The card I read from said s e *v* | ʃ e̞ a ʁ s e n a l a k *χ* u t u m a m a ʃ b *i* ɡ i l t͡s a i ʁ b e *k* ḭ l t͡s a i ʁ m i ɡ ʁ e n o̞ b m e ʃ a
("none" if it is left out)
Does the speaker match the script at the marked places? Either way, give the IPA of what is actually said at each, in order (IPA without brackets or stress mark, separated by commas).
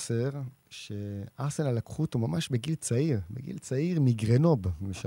ʁ, χ, e, ɡ